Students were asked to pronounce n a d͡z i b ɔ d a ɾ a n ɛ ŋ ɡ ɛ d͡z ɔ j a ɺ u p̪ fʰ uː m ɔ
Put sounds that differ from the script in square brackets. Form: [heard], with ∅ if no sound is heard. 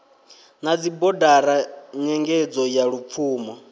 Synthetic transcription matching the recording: n a d͡z i b ɔ d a ɾ a [ɲ] ɛ ŋ ɡ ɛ d͡z ɔ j a ɺ u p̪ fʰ uː m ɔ